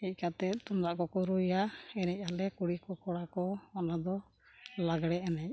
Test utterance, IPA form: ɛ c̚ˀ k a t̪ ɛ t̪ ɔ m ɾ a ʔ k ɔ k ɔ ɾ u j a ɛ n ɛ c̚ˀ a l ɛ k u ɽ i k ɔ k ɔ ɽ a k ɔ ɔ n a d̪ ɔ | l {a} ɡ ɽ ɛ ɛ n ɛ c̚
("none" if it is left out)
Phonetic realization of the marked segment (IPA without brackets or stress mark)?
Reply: a